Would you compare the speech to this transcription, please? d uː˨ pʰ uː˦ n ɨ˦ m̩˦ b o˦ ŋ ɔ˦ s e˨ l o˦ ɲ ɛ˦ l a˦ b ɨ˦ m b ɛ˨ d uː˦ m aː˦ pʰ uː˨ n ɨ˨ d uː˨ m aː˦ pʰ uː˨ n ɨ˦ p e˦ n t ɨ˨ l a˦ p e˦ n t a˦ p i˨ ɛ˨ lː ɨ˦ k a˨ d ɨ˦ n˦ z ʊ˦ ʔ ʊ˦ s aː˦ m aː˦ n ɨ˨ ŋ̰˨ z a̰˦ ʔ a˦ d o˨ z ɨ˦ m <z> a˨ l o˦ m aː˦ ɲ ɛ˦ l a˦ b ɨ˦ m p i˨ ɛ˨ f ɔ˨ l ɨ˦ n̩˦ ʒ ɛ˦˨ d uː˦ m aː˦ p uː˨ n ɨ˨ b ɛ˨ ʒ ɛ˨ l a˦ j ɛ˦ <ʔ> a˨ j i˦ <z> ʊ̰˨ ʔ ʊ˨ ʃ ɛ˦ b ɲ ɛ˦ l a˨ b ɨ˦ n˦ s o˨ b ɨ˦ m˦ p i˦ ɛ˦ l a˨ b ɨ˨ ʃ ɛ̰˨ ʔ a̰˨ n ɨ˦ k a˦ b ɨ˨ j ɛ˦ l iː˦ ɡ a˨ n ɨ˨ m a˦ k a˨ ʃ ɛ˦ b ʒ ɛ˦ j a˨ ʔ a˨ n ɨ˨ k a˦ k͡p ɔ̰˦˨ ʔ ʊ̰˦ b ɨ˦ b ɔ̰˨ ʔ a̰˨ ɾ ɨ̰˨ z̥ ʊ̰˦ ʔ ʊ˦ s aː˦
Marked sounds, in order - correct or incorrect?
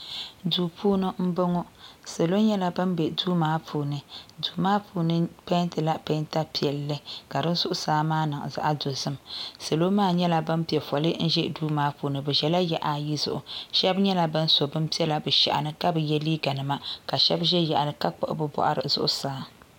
incorrect: s, correct, correct

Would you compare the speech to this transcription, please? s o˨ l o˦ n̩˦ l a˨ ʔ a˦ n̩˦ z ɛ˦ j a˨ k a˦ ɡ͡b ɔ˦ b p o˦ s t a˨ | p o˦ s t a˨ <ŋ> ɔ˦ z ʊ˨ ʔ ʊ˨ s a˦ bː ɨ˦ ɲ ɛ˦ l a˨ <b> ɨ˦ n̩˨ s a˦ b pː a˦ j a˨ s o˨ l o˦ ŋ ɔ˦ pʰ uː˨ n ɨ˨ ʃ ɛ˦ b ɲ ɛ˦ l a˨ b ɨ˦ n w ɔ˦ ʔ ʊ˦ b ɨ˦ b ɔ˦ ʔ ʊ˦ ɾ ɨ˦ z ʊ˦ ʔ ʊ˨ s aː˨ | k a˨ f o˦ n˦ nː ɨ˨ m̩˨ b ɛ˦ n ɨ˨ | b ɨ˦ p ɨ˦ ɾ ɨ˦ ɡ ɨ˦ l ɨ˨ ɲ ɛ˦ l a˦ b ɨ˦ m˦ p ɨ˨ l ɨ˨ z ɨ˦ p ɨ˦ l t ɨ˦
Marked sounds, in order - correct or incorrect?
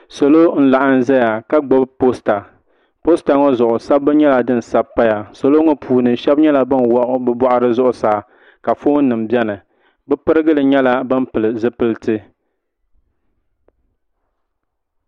correct, incorrect: d

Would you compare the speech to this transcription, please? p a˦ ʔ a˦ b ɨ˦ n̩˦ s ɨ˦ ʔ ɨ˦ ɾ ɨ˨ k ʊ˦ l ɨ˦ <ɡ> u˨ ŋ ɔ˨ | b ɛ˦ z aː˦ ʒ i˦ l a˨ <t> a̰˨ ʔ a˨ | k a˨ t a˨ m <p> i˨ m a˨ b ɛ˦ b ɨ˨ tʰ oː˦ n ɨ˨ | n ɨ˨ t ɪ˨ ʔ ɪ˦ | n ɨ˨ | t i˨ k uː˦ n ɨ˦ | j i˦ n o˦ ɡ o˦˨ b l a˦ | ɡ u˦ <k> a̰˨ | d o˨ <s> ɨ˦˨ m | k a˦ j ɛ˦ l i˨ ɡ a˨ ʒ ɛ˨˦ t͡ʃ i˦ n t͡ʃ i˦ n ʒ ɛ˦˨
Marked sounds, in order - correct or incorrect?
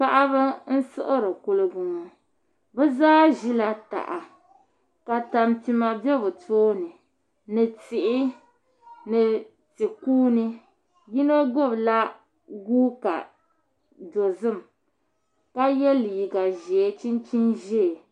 correct, correct, incorrect: t, correct, incorrect: z

